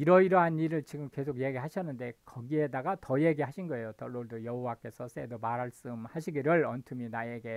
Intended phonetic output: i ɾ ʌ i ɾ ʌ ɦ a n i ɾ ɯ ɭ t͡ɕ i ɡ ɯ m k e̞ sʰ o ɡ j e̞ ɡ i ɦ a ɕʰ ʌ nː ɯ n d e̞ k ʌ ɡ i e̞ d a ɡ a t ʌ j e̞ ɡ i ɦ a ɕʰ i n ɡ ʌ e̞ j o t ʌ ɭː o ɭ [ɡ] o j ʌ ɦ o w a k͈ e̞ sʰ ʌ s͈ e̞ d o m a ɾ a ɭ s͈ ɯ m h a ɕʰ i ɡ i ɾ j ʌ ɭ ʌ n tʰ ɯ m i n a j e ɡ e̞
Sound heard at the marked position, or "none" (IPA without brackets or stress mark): d